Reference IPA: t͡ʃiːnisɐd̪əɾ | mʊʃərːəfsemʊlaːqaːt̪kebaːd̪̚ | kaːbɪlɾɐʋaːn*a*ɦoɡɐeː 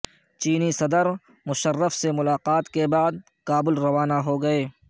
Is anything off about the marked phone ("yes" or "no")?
no